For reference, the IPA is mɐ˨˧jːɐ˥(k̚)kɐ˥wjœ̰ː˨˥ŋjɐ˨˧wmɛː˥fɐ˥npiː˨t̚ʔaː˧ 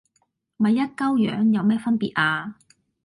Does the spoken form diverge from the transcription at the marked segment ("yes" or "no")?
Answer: yes